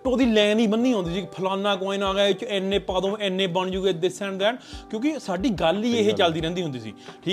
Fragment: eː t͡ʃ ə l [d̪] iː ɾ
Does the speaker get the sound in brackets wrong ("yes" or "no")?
no